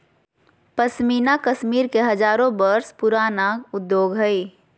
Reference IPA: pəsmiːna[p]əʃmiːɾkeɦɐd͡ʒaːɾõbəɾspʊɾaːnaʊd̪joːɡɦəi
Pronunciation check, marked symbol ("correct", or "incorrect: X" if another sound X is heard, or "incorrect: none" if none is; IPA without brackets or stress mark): incorrect: k